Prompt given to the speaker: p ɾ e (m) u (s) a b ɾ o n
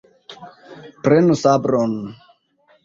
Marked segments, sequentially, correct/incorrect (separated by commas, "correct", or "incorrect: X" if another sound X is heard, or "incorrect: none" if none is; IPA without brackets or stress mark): incorrect: n, correct